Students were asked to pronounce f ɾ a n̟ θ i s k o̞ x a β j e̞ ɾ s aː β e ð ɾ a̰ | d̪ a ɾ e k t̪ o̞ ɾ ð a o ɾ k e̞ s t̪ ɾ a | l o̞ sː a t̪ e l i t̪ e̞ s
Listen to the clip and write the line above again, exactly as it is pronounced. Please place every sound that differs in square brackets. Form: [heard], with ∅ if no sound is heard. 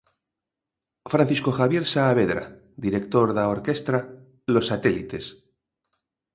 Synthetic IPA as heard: f ɾ a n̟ θ i s k o̞ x a β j e̞ ɾ s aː β e ð ɾ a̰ | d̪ [i] ɾ e k t̪ o̞ ɾ ð a o ɾ k e̞ s t̪ ɾ a | l o̞ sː a t̪ e l i t̪ e̞ s

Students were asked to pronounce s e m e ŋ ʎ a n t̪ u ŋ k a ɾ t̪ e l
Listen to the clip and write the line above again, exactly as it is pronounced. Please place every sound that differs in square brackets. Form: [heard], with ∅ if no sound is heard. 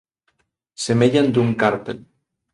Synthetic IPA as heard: s e m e [∅] ʎ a n [d̪] u ŋ k a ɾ t̪ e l

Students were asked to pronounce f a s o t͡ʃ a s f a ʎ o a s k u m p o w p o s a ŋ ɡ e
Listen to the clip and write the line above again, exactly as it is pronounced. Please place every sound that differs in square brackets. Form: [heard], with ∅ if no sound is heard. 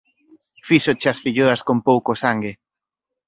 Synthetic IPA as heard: f [i] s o t͡ʃ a s f [i] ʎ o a s k [o] m p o w [k] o s a ŋ ɡ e

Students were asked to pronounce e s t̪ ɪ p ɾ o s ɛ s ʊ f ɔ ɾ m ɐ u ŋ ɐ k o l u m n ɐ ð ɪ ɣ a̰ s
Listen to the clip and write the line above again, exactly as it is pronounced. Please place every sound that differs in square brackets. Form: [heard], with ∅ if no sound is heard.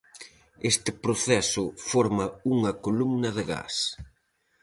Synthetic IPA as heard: e s t̪ ɪ p ɾ o [θ] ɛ s ʊ f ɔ ɾ m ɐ u ŋ ɐ k o l u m n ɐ ð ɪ ɣ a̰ s

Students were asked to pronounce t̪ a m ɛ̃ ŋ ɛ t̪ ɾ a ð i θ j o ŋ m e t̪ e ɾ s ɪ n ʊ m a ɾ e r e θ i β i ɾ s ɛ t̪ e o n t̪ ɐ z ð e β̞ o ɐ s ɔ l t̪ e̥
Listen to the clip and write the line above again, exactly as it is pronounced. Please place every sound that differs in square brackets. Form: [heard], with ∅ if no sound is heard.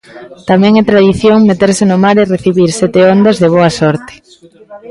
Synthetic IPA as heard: t̪ a m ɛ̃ ŋ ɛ t̪ ɾ a ð i θ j o ŋ m e t̪ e ɾ s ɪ n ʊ m a ɾ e r e θ i β i ɾ s ɛ t̪ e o n [d̪] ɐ z ð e β̞ o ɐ s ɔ [ɾ] t̪ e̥

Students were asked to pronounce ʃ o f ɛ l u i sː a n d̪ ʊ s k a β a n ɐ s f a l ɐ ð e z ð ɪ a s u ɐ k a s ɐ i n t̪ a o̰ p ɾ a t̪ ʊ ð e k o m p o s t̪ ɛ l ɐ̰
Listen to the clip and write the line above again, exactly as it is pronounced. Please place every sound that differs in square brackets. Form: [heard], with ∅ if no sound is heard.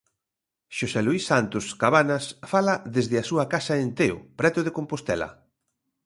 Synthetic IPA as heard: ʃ o [s] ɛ l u i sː a n [t̪] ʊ s k a β a n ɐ s f a l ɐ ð e z ð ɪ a s u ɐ k a s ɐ [e] n t̪ [e] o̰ p ɾ [ɛ] t̪ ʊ ð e k o m p o s t̪ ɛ l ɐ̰

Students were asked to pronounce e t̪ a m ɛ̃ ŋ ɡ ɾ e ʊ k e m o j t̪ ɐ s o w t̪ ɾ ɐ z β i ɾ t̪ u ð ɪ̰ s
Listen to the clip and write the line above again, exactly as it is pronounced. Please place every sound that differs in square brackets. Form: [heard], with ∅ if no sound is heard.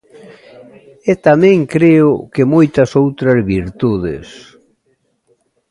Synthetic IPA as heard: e t̪ a m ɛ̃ ŋ [k] ɾ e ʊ k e m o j t̪ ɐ s o w t̪ ɾ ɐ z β i ɾ t̪ u ð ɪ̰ s

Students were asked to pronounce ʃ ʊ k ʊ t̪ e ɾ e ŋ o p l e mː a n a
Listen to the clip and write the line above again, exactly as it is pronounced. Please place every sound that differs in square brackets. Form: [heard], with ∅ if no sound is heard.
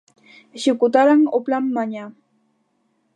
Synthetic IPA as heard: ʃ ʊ k ʊ t̪ [a] ɾ [a] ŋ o p l [a] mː a [ɲ] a

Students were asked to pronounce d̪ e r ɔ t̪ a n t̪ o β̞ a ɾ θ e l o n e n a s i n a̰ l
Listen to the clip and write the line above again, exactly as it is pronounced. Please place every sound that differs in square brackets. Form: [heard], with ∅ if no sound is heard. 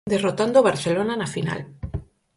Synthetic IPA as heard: d̪ e r [o] t̪ a n [d̪] o β̞ a ɾ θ e l o n [a] n a [f] i n a̰ l

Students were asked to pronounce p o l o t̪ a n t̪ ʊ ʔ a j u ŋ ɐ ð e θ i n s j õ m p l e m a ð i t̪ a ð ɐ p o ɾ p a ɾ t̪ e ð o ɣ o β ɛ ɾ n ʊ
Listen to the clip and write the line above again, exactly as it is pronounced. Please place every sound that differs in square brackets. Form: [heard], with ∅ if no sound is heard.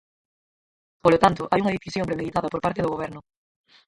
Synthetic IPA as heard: p o l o t̪ a n t̪ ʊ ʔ a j u ŋ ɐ ð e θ i [∅] s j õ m p [ɾ] e m [e] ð i t̪ a ð ɐ p o ɾ p a ɾ t̪ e ð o ɣ o β ɛ ɾ n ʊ

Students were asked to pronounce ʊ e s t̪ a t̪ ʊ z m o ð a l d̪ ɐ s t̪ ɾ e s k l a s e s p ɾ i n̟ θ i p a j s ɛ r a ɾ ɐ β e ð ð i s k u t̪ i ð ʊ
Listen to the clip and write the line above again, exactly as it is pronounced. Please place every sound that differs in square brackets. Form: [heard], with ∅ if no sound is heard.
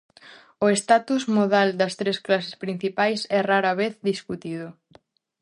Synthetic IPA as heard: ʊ e s t̪ a t̪ [u] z m o ð a l d̪ ɐ s t̪ ɾ e s k l a s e s p ɾ i n̟ θ i p a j s ɛ r a ɾ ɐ β e [θ] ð i s k u t̪ i ð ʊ

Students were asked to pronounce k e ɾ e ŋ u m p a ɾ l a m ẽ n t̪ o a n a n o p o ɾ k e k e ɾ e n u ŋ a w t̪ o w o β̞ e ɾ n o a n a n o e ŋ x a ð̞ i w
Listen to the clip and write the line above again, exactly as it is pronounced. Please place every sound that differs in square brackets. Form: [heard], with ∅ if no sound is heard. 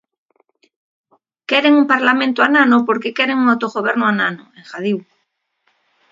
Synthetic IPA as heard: k e ɾ e ŋ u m p a ɾ l a m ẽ n t̪ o a n a n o p o ɾ k e k e ɾ e [ŋ] u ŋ a w t̪ o [ɣ] o β̞ e ɾ n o a n a n o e ŋ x a ð̞ i w

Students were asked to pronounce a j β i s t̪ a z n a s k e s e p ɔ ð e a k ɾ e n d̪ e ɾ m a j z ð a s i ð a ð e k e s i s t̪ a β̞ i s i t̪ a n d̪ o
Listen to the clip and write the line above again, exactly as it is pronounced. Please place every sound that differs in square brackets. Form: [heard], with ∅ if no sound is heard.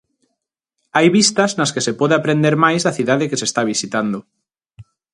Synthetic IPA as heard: a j β i s t̪ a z n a s k e s e p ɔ ð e a [p] ɾ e n d̪ e ɾ m a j z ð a [θ] i ð a ð e k e s [e] s t̪ a β̞ i s i t̪ a n d̪ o

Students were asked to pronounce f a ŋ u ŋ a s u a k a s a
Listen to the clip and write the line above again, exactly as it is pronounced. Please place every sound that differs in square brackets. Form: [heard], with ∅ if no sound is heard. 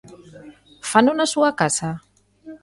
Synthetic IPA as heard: f a [n] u [n] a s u a k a s a

